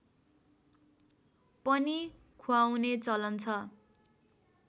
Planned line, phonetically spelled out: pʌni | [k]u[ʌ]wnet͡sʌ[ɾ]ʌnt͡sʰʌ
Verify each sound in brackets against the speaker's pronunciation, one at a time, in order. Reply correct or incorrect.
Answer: incorrect: kʰ, incorrect: a, incorrect: l

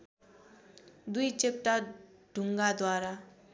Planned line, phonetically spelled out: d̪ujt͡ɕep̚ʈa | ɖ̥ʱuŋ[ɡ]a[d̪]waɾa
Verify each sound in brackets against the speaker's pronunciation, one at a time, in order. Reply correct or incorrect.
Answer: correct, correct

